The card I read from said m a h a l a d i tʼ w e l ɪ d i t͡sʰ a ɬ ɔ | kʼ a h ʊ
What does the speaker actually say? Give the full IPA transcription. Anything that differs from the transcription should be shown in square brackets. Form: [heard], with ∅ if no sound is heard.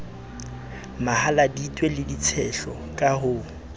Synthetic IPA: m a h a l a d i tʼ w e l ɪ d i t͡sʰ [ɛ] ɬ ɔ | kʼ a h ʊ